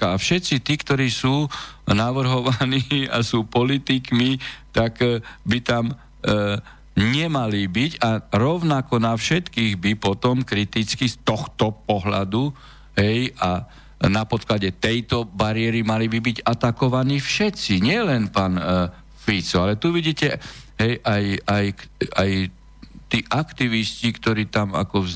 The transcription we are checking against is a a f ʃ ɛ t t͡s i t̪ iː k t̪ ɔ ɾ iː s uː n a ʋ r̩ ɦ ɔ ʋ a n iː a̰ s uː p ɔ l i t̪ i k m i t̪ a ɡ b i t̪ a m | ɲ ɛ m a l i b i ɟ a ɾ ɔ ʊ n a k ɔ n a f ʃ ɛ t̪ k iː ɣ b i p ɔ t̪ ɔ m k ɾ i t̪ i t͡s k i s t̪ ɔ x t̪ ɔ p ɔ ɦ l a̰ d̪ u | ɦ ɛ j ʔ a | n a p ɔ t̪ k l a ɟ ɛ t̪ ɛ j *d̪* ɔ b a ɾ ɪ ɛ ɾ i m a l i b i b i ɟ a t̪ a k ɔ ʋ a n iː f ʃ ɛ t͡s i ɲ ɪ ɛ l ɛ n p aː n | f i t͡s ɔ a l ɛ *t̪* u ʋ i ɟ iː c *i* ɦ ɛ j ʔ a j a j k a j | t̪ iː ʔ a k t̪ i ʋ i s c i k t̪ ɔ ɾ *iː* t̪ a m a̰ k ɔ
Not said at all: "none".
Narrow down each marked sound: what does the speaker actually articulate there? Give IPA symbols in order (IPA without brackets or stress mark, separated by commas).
t̪, t̪, ɛ, iː